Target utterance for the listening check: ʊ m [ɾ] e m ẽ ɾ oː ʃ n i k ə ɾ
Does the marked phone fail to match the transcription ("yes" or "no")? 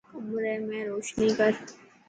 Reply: no